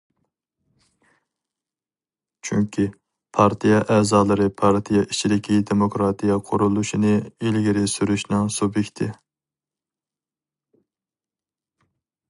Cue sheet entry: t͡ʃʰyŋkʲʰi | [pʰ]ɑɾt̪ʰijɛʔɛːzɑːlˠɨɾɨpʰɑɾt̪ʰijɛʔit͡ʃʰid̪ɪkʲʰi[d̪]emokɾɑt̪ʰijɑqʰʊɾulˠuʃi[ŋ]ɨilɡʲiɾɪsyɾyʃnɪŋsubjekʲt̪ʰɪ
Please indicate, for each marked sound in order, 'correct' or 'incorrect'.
correct, correct, incorrect

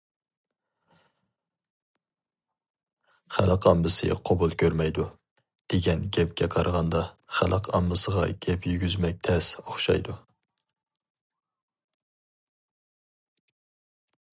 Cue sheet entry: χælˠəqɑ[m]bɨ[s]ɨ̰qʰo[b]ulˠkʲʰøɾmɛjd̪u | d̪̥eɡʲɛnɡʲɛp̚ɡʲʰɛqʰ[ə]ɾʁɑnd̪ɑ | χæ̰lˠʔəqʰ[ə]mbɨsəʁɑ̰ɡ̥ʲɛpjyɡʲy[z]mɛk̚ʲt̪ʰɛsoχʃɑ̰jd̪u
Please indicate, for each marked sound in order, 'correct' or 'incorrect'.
correct, correct, correct, incorrect, incorrect, correct

